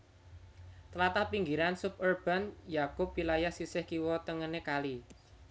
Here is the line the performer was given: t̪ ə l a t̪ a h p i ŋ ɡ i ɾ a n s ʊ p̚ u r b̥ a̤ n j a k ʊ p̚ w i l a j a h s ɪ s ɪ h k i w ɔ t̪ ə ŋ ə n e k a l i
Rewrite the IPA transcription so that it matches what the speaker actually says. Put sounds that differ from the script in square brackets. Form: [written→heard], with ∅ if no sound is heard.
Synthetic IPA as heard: t̪ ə l a t̪ a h p i ŋ ɡ i ɾ a n s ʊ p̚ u r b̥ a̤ n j a k ʊ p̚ w i l a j a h s [ɪ→i] s ɪ h k i w ɔ t̪ ə ŋ ə n e k a l i